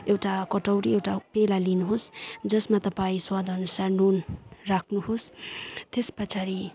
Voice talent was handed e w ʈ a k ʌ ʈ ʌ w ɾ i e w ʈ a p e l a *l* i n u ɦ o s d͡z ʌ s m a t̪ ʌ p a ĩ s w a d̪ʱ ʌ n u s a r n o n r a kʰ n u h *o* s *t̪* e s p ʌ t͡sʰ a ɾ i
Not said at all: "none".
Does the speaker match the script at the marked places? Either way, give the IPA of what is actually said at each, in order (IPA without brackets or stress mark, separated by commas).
l, o, t̪